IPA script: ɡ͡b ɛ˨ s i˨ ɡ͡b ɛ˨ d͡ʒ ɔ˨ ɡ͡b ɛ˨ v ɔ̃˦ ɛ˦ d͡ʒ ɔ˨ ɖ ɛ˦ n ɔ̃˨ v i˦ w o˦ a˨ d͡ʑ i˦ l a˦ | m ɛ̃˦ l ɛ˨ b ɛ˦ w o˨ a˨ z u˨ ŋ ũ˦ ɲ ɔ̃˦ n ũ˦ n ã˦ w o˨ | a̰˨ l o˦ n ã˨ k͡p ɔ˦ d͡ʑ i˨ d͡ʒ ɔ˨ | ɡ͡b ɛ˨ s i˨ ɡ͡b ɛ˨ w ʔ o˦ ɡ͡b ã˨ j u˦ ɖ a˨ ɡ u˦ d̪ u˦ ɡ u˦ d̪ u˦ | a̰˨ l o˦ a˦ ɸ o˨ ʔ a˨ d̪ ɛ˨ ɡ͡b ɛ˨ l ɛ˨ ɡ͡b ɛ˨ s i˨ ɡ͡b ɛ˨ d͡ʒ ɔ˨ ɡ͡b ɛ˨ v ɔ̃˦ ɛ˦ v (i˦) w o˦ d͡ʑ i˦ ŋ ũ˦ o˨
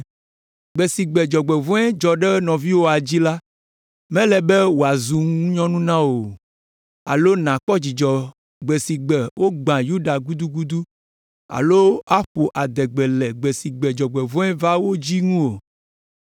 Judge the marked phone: incorrect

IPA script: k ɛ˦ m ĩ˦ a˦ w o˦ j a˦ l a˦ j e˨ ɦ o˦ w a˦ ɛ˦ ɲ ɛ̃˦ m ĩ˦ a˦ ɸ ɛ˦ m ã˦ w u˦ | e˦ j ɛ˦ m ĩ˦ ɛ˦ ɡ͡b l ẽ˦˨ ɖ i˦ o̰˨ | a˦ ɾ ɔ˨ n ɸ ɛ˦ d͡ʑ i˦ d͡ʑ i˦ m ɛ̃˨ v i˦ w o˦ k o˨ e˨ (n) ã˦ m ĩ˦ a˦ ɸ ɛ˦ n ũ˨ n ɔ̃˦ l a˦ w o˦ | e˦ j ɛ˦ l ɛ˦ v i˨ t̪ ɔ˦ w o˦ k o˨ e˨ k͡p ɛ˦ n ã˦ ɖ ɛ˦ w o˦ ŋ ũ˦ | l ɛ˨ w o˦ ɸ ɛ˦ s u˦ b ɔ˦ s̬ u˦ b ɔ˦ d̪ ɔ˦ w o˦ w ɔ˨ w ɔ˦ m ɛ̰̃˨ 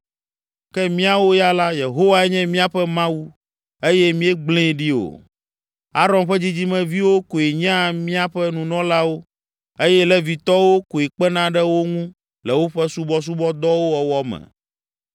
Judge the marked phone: incorrect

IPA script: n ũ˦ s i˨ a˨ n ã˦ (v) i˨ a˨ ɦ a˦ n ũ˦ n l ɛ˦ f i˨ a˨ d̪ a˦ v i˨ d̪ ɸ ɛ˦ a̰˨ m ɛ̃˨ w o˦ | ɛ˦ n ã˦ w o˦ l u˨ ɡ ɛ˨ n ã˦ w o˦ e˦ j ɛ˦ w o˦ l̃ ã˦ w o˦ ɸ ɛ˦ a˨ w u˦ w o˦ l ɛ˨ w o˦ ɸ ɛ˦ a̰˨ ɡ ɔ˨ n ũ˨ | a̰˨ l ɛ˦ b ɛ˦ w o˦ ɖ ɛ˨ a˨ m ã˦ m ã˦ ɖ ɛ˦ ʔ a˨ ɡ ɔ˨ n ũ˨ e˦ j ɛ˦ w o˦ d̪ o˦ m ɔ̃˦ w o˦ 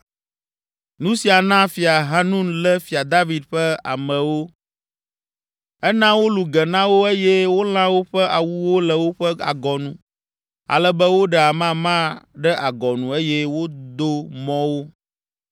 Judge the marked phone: incorrect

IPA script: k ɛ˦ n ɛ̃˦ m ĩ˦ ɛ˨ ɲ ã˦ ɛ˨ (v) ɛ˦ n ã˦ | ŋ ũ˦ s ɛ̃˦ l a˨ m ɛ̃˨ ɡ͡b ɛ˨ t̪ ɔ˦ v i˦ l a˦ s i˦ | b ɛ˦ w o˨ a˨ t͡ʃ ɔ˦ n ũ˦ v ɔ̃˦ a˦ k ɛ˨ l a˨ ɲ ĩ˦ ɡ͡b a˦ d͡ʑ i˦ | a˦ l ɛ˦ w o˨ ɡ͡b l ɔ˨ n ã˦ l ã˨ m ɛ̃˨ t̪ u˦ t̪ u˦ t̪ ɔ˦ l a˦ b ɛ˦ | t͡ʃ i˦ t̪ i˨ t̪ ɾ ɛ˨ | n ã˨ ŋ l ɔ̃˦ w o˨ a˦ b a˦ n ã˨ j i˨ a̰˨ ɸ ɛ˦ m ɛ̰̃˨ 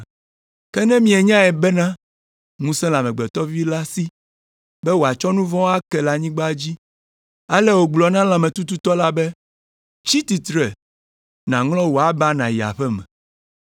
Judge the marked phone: incorrect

